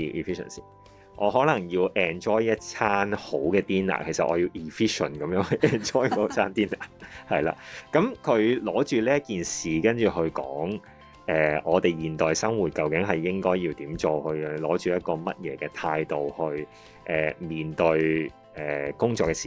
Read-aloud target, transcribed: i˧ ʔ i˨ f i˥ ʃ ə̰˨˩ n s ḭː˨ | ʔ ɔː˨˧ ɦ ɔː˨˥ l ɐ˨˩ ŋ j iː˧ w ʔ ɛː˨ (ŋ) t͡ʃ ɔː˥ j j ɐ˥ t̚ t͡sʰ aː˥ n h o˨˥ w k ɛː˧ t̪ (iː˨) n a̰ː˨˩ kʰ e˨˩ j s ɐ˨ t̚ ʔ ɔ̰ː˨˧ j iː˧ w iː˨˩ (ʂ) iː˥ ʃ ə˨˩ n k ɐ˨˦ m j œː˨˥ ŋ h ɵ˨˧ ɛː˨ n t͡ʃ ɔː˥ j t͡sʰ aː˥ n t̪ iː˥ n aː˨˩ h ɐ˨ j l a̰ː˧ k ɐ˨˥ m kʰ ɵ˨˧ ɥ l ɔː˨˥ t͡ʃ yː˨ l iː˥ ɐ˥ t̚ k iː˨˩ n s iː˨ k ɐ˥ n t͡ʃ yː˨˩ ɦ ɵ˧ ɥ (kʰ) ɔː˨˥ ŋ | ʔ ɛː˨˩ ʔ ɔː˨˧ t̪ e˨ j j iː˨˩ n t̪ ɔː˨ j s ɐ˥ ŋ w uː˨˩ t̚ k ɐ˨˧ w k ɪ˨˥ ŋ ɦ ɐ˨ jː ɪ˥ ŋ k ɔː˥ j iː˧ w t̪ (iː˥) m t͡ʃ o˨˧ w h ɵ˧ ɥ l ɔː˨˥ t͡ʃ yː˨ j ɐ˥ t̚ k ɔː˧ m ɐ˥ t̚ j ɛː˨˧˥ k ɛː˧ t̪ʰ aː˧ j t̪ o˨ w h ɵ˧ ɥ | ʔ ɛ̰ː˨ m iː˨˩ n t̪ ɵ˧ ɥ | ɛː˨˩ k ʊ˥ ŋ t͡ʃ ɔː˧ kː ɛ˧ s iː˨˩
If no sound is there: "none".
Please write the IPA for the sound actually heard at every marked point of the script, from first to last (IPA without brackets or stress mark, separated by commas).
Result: n, iː˥, f, k, iː˨˥